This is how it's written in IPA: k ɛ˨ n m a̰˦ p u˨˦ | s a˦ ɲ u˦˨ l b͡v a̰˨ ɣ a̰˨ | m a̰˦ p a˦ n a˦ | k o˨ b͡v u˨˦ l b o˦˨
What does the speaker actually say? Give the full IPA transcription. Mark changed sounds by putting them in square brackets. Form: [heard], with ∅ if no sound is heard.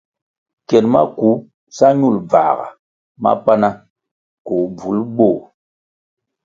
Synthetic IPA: k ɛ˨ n m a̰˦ [k] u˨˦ | s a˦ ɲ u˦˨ l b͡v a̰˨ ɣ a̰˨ | m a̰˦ p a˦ n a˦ | k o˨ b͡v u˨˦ l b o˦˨